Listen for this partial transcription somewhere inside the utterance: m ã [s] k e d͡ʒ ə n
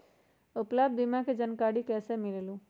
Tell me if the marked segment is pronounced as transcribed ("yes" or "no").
no